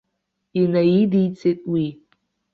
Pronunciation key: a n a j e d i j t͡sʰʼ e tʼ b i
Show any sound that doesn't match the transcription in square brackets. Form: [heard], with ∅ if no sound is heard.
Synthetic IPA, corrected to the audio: [i] n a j [i] d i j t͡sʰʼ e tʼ [w] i